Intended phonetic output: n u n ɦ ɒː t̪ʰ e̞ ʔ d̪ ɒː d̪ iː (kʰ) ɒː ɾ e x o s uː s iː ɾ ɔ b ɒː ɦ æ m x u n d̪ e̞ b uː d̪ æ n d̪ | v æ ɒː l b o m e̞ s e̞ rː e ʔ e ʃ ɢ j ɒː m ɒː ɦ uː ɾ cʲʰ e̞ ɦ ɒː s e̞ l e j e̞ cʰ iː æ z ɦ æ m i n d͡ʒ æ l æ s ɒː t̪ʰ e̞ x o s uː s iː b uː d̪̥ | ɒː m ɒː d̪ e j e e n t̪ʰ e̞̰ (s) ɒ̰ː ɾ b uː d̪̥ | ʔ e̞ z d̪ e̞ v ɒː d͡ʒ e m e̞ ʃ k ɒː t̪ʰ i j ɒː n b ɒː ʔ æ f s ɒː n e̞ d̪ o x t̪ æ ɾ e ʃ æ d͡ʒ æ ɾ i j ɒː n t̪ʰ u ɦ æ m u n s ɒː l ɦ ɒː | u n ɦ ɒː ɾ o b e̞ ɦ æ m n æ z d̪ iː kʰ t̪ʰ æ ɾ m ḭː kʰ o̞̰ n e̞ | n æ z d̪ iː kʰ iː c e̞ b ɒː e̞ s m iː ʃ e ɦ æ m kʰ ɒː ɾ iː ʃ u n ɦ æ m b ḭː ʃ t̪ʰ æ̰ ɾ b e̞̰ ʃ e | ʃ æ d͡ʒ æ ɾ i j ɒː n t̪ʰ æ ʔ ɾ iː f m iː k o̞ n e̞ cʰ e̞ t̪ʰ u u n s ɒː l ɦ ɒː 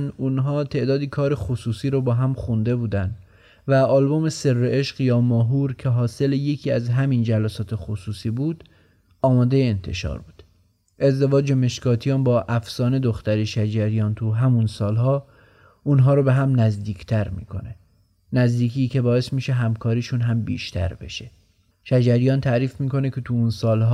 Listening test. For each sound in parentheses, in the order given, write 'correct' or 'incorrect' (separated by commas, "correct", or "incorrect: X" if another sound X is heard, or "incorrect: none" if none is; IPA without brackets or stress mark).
correct, incorrect: ʃ